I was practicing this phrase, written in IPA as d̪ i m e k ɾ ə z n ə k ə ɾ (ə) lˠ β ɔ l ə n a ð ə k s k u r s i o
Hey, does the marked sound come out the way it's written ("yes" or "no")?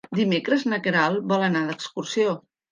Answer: no